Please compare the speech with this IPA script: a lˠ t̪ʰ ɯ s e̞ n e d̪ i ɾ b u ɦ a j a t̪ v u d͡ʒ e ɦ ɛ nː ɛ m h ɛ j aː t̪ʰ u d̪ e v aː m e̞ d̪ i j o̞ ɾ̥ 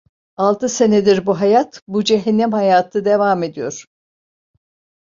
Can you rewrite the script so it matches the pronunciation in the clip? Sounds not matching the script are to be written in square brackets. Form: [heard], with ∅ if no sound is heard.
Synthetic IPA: a lˠ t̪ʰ ɯ s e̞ n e d̪ i ɾ b u ɦ a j a t̪ [b] u d͡ʒ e ɦ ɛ nː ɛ m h [a] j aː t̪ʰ [ɯ] d̪ e v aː m e̞ d̪ i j o̞ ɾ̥

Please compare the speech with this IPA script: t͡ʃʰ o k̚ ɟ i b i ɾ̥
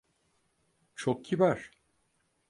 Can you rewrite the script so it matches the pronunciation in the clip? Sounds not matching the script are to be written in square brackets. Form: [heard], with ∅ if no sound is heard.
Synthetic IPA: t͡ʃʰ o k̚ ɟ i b [æ] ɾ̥

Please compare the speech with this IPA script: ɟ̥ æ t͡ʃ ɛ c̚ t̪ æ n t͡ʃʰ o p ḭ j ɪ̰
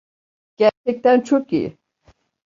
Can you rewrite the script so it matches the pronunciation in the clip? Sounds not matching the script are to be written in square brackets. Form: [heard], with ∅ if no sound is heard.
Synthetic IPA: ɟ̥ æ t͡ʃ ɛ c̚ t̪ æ n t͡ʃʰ o [k] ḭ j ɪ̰

